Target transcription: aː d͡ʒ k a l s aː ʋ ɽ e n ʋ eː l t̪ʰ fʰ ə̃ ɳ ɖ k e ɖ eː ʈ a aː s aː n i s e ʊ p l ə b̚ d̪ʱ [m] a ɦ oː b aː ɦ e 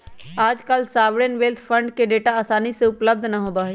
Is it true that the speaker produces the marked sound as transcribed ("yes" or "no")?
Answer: no